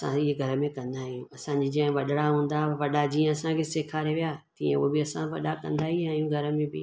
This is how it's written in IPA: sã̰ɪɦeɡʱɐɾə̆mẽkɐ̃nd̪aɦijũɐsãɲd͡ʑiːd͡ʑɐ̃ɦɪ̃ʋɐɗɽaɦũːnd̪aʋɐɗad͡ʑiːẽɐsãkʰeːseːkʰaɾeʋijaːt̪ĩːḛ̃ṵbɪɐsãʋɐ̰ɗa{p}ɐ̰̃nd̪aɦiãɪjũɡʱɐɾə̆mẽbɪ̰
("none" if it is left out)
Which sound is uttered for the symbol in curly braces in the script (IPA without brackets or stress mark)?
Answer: k